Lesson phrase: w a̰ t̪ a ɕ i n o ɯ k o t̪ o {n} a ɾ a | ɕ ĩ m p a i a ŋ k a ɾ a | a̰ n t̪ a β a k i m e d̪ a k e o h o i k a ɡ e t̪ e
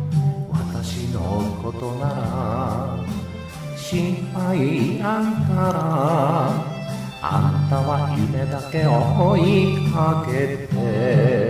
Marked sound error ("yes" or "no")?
no